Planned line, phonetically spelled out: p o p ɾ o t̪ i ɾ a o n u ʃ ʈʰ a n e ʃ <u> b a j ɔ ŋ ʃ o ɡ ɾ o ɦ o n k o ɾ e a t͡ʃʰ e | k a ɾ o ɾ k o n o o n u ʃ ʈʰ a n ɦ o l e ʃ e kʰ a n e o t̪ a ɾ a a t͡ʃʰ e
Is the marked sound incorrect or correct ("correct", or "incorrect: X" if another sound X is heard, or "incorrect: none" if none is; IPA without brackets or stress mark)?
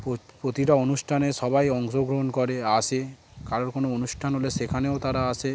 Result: incorrect: ɔ